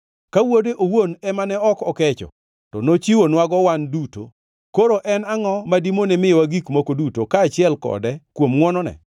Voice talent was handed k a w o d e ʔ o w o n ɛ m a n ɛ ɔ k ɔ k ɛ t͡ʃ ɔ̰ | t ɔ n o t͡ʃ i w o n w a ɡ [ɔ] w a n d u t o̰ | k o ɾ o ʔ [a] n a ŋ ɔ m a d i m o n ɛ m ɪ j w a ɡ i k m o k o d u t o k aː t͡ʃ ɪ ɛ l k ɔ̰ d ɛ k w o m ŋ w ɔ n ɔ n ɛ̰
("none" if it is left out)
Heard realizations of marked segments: ɔ, ɛ

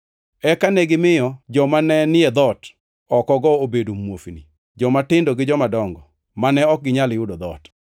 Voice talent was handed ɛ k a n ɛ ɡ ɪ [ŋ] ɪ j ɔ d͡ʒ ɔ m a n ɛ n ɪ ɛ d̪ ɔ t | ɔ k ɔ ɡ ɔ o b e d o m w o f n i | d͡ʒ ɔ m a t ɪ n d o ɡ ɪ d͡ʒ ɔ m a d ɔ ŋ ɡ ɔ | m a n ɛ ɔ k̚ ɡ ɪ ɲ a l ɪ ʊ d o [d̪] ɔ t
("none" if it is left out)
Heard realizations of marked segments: m, d̪

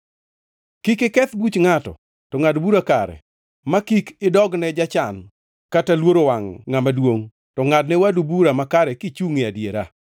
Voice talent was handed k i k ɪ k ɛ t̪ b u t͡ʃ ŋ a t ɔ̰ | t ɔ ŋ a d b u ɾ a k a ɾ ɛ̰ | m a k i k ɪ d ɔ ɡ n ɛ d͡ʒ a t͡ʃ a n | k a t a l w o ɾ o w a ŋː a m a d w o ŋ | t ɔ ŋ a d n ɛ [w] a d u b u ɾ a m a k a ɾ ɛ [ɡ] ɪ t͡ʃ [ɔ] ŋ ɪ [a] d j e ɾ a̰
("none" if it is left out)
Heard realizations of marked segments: w, k, u, a

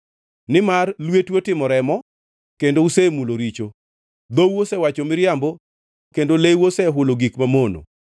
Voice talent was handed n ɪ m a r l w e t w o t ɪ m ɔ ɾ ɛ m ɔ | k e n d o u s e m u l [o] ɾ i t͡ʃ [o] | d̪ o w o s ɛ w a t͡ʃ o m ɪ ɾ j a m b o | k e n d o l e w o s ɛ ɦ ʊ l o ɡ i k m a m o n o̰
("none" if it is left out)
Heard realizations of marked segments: o, o

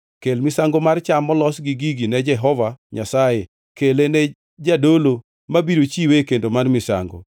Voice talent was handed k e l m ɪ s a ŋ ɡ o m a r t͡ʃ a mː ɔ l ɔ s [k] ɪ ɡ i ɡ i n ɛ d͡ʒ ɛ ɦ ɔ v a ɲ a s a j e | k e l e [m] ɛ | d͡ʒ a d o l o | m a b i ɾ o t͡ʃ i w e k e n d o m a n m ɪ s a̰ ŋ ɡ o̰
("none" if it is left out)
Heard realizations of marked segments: ɡ, n

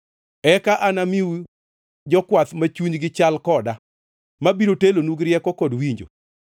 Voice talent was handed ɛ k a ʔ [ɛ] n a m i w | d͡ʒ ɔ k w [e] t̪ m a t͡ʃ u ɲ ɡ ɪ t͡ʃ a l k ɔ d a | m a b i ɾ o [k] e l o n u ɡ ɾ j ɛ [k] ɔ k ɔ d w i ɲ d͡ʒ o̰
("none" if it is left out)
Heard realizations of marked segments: a, a, t, k

